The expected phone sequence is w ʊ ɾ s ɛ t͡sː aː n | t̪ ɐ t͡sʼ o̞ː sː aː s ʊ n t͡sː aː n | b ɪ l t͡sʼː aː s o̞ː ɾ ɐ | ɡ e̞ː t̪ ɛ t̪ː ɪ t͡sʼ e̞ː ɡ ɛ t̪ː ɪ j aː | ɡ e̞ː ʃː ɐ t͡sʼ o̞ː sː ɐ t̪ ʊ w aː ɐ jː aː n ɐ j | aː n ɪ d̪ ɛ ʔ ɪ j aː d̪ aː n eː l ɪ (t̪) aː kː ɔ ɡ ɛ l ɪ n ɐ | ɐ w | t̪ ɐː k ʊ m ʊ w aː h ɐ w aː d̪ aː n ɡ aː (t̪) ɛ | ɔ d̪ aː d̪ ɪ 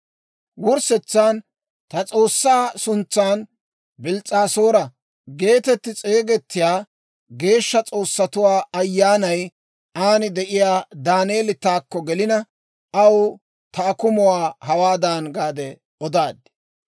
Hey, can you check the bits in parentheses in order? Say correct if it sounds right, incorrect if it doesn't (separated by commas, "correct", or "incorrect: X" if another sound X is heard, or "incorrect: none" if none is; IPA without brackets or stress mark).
correct, incorrect: d̪